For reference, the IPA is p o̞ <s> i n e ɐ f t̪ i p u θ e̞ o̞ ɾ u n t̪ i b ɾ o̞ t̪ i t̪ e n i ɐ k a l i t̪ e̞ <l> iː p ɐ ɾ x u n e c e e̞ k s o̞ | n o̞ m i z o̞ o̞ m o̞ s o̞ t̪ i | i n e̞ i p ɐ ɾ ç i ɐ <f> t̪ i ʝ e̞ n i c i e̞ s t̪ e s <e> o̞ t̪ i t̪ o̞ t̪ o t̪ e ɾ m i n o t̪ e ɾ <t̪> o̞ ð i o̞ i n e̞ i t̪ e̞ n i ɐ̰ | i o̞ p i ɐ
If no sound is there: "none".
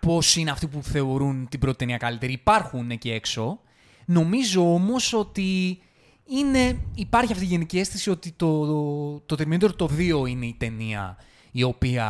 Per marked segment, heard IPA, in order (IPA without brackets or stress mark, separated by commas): s, ɾ, f, i, t̪